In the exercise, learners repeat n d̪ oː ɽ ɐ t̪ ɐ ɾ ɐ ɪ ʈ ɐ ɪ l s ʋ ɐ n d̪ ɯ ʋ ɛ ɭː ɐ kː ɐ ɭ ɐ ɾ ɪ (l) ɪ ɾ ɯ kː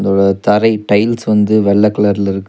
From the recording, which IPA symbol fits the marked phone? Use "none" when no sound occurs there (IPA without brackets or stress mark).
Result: l